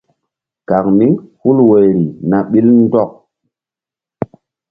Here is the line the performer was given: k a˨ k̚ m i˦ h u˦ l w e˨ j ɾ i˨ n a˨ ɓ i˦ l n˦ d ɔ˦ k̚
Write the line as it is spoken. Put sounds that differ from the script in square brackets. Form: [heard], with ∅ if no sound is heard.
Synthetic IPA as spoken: k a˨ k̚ m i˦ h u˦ l w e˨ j ɾ i˨ n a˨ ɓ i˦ l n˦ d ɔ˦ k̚